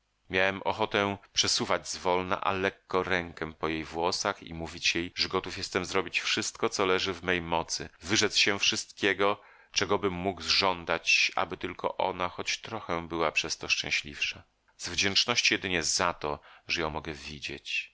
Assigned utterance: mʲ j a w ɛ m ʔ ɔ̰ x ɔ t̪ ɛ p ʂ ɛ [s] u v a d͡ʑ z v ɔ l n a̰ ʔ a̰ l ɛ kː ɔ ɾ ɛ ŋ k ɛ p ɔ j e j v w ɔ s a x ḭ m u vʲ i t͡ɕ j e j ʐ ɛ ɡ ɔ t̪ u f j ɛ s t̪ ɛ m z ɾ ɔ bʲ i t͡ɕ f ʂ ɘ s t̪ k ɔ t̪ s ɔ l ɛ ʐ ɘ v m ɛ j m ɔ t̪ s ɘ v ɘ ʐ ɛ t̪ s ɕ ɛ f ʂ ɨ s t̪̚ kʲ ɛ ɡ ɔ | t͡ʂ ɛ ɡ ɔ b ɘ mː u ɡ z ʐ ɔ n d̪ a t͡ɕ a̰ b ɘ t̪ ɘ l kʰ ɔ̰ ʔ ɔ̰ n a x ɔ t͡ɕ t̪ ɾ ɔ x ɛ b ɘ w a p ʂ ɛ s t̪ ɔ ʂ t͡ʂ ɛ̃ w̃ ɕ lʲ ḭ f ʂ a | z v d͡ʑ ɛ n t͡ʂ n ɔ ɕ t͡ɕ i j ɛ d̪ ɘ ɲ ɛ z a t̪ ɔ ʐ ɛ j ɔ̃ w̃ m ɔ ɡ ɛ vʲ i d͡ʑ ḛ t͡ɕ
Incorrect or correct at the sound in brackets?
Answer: correct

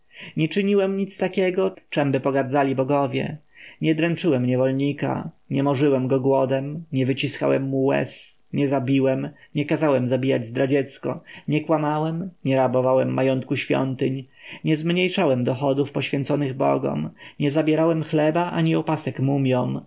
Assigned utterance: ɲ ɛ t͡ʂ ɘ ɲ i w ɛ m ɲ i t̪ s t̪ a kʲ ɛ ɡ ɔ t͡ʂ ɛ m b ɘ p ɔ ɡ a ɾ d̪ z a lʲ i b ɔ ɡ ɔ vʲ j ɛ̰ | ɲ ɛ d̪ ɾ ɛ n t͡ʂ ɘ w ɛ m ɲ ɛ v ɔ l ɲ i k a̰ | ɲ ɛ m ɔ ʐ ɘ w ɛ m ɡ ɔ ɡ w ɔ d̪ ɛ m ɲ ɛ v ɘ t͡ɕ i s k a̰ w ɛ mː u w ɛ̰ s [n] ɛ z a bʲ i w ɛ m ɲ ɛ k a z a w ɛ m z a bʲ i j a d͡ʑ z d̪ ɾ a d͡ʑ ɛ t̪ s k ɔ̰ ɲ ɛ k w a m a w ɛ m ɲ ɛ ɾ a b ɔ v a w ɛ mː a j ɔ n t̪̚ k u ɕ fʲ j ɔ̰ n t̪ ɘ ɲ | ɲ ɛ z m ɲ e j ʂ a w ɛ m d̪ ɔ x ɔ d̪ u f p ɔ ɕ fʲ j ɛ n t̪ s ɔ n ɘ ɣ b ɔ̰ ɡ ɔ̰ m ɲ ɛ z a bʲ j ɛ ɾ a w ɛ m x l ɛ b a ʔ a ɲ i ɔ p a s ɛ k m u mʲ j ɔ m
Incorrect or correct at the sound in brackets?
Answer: incorrect: ɲ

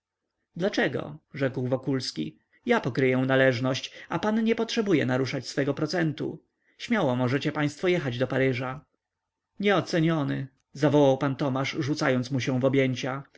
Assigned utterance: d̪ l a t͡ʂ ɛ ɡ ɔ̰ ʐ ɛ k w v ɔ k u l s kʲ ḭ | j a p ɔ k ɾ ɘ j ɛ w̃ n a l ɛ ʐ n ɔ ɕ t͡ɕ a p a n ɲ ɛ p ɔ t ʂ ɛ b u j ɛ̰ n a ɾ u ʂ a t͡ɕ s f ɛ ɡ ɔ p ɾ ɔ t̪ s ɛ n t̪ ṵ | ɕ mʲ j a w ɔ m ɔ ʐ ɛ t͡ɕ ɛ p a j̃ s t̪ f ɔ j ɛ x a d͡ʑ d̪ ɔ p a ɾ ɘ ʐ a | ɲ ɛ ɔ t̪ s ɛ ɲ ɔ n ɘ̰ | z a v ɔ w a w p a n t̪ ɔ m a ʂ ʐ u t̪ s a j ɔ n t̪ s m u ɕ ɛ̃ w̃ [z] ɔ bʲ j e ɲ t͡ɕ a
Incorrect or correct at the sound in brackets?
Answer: incorrect: v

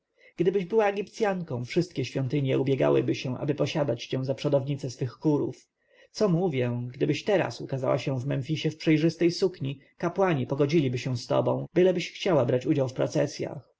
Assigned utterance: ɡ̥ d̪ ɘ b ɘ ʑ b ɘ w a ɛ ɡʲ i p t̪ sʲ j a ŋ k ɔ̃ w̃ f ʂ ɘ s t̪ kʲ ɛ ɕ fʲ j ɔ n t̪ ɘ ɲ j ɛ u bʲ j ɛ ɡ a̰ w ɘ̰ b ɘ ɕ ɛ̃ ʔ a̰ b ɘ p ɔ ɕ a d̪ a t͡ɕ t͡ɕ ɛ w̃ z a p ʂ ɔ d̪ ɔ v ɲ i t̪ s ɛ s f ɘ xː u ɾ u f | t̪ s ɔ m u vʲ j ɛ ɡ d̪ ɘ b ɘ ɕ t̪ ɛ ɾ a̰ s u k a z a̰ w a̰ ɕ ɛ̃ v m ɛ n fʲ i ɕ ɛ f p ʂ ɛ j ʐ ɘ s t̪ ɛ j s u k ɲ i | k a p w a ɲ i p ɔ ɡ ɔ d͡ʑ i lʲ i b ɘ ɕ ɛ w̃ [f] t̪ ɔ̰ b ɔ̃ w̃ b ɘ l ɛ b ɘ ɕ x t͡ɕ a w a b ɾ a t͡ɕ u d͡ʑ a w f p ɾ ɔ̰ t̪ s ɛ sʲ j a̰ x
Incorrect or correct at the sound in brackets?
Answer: incorrect: s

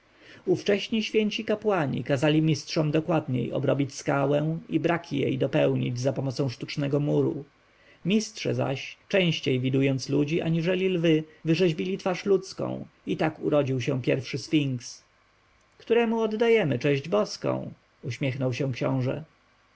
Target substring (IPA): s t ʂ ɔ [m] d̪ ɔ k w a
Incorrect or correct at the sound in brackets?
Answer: correct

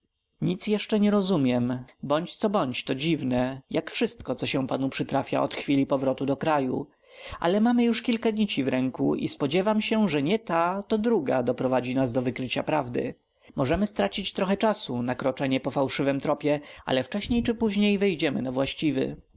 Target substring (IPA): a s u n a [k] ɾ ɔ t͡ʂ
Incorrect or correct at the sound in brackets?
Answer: correct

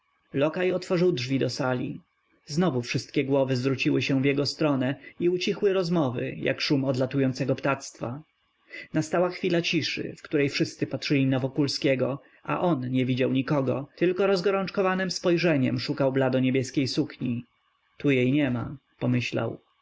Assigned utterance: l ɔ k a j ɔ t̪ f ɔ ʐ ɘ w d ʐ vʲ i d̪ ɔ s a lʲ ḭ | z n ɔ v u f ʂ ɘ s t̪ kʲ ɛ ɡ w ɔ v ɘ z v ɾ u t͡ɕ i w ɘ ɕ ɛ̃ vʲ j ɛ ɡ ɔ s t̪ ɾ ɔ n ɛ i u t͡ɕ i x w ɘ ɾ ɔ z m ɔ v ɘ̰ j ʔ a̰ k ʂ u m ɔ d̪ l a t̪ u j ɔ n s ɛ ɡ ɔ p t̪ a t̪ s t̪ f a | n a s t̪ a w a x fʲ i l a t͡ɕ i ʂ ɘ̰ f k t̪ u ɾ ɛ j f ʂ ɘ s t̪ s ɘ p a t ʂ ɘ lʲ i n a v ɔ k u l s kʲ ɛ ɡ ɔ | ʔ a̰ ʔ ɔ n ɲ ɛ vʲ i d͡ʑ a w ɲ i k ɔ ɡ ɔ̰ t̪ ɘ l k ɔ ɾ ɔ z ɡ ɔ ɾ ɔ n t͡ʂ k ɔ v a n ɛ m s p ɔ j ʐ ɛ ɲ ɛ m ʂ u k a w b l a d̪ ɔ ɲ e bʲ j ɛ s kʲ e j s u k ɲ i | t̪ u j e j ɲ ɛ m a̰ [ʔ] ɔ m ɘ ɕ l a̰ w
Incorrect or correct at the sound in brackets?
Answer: incorrect: p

